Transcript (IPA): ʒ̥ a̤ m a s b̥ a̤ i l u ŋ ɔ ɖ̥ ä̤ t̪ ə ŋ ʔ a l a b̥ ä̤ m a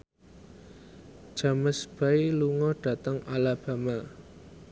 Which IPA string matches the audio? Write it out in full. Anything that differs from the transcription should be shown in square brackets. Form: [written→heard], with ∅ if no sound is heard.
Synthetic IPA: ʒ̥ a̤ m [a→ə] s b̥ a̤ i l u ŋ ɔ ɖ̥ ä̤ t̪ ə ŋ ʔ a l a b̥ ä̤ m a